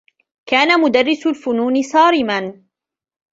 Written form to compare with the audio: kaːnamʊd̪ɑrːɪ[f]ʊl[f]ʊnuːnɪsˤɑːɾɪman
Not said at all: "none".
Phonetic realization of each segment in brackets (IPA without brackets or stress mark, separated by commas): s, f